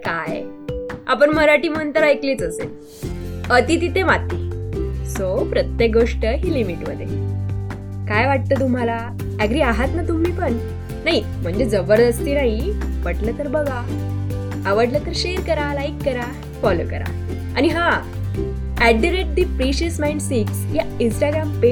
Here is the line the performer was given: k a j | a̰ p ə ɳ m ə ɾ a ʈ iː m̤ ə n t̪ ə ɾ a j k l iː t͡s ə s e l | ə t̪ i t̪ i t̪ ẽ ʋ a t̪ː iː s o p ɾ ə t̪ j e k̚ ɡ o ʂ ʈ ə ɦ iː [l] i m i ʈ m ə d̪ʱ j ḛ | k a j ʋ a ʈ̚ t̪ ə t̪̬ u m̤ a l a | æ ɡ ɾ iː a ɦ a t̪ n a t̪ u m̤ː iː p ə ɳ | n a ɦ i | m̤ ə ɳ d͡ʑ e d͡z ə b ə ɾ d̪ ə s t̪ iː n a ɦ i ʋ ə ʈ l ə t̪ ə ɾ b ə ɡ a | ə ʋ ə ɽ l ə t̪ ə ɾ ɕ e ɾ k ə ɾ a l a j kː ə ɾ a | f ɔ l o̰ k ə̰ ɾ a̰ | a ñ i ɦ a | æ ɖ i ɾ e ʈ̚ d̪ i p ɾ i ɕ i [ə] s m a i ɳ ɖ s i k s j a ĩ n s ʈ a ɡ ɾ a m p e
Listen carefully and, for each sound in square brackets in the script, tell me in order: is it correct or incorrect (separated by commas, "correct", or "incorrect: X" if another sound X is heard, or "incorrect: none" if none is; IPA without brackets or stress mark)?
correct, correct